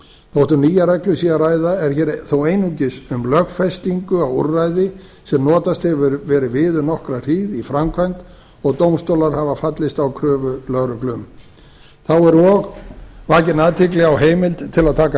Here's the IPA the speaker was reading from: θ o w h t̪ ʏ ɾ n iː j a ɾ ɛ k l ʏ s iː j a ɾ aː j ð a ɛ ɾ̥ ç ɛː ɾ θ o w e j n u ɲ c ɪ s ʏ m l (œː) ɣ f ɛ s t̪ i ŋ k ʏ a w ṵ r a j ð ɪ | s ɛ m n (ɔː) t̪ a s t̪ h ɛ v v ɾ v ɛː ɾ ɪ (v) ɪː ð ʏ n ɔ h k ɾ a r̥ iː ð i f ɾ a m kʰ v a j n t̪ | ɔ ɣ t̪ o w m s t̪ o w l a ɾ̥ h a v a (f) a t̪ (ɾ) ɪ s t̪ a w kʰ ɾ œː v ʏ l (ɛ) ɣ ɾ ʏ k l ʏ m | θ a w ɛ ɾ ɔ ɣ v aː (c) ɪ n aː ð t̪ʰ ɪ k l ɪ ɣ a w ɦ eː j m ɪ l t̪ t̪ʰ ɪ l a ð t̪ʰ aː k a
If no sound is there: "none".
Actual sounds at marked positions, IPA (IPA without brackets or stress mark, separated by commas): œ, ɔː, v, f, l, œ, c